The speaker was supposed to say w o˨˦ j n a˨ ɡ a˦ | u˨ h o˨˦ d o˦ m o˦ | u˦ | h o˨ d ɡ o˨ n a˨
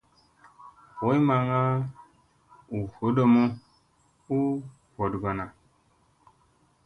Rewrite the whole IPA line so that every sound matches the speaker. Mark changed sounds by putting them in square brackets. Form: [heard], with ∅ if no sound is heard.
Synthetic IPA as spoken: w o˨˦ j [m] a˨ [ŋ] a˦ | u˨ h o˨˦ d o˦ m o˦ | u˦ | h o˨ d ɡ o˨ n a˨